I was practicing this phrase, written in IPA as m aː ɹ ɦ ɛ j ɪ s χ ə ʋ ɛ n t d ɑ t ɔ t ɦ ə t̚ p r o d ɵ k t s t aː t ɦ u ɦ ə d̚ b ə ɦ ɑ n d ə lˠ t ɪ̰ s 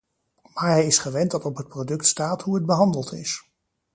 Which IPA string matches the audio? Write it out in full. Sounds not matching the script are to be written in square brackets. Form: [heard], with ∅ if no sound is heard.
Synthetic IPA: m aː ɹ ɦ ɛ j ɪ s χ ə ʋ ɛ n t d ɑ t ɔ [p] ɦ ə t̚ p r o d ɵ k t s t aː t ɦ u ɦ ə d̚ b ə ɦ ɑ n d ə lˠ t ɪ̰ s

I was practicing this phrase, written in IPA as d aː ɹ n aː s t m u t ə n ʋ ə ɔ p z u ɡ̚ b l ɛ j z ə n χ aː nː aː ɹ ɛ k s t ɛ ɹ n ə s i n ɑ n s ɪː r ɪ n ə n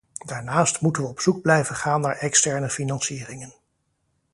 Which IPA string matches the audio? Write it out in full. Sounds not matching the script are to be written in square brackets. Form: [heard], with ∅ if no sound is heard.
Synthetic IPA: d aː ɹ n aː s t m u t ə n ʋ ə ɔ p [s] u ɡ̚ b l ɛ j [v] ə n χ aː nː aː ɹ ɛ k s t ɛ ɹ n ə [f] i n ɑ n s [iː] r ɪ [ŋ] ə n

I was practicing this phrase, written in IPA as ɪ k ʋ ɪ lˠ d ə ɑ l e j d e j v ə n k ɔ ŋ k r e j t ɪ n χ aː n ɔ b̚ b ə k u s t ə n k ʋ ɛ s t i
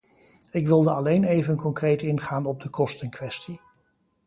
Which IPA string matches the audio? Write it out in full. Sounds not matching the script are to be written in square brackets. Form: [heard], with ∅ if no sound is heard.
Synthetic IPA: ɪ k ʋ ɪ lˠ d ə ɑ l e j [n] e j v ə n k ɔ ŋ k r e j t ɪ n χ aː n ɔ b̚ [d] ə k [ɔ] s t ə n k ʋ ɛ s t i

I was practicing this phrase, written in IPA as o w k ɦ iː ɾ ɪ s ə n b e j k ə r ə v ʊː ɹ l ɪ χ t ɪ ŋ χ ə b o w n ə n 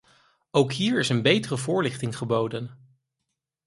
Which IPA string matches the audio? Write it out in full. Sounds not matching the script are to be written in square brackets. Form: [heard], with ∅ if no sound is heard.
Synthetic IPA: o w k ɦ iː [ɹ] ɪ s ə n b e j [t] ə r ə v ʊː ɹ l ɪ χ t ɪ ŋ χ ə b o w [d] ə n

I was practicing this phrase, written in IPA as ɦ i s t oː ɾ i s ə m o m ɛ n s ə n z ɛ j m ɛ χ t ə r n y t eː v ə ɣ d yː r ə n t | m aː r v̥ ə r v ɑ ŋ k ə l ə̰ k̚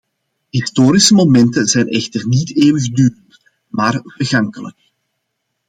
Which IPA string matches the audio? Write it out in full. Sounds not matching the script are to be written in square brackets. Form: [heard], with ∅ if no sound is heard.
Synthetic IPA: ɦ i s t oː ɾ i s ə m o m ɛ n [t] ə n z ɛ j [n] ɛ [x] t ə r n [i] t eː [w] ə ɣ d yː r ə n t | m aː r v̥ ə r [ɣ] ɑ ŋ k ə l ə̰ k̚

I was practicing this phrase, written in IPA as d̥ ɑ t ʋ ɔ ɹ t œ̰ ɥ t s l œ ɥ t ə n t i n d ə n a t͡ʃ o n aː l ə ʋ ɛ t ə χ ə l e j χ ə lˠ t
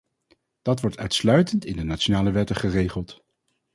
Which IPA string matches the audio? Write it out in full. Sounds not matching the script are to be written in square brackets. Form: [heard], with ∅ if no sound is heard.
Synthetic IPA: d̥ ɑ t ʋ ɔ ɹ t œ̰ ɥ t s l œ ɥ t ə n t [ɪ] n d ə n a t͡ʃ o n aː l ə ʋ ɛ t ə χ ə [r] e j χ ə lˠ t

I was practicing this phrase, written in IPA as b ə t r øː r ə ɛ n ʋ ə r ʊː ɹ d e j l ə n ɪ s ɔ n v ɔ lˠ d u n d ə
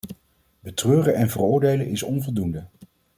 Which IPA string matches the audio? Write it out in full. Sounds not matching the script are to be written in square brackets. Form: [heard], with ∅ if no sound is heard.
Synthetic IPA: b ə t r øː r ə ɛ n [v] ə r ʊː ɹ d e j l ə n ɪ s ɔ n v ɔ lˠ d u n d ə

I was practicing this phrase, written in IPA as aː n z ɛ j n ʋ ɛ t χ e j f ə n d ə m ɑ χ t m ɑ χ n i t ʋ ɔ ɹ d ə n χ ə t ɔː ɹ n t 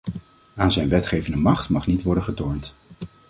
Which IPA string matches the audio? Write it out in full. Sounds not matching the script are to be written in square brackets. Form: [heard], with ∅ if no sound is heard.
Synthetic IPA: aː n z ɛ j n ʋ ɛ t χ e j [v] ə n d ə m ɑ χ t m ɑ χ n i t ʋ ɔ ɹ d ə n χ ə t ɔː ɹ n t

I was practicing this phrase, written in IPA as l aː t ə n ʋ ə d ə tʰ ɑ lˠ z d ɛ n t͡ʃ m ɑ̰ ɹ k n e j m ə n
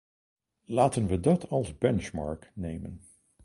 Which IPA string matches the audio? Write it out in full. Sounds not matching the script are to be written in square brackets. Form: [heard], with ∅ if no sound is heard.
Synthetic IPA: l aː t ə n ʋ ə d [ɑ] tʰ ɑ lˠ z [b] ɛ n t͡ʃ m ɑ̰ ɹ k n e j m ə n

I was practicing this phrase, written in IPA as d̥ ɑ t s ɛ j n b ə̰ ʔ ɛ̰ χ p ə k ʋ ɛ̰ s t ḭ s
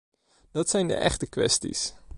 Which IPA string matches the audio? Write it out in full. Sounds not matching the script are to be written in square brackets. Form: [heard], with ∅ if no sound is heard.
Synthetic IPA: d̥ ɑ t s ɛ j n [d] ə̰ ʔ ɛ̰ χ [t] ə k ʋ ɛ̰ s t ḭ s

